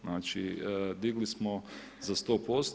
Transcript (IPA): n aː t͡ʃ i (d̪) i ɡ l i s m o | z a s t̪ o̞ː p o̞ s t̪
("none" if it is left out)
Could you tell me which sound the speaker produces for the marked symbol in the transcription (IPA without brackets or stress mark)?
d̪